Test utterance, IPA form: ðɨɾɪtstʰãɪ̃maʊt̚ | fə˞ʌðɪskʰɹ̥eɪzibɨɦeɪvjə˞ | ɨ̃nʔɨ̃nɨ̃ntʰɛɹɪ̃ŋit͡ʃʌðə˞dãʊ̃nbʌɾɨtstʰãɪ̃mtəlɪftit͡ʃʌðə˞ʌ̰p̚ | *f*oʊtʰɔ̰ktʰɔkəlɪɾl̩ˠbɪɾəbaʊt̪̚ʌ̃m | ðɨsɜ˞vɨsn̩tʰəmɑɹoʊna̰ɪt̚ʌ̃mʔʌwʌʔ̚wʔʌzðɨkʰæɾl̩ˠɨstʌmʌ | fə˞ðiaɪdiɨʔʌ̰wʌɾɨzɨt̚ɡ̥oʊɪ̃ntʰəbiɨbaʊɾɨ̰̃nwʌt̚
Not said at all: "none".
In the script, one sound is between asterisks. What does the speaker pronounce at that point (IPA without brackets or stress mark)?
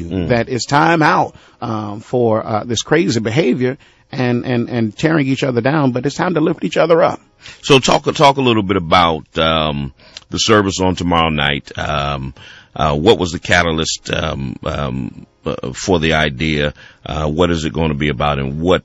s